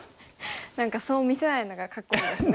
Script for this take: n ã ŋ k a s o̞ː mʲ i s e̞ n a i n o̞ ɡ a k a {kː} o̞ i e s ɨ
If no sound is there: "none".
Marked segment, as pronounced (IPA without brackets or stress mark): kː